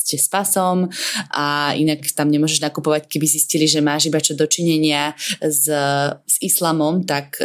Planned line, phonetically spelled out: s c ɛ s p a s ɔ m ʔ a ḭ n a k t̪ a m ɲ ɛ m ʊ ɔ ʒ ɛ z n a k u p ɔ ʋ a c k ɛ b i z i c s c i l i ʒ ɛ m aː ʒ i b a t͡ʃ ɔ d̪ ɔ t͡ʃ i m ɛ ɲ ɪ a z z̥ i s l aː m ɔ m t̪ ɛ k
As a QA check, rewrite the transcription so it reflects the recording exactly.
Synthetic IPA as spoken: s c ɛ s p a s ɔ m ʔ a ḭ n a k t̪ a m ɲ ɛ m ʊ ɔ ʒ ɛ ʒ n a k u p ɔ ʋ a c k ɛ b i z i s c i l i ʒ ɛ m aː ʒ i b a t͡ʃ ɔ d̪ ɔ t͡ʃ i ɲ ɛ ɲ ɪ a z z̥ i s l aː m ɔ m t̪ a k